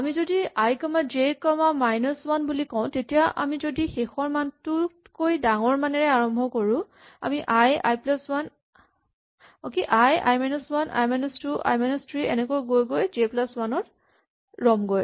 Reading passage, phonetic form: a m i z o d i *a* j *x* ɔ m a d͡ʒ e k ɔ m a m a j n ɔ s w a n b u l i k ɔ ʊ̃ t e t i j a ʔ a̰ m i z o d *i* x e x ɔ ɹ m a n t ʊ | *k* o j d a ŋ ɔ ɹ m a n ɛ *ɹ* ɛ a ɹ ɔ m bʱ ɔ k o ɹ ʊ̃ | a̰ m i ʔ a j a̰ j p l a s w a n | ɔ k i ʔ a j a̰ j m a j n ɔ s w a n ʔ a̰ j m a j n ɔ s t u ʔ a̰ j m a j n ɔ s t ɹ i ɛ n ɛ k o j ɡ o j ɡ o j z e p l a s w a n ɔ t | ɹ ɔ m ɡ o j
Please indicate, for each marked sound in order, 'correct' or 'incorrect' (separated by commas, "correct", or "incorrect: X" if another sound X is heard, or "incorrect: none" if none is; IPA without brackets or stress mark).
correct, incorrect: k, correct, correct, correct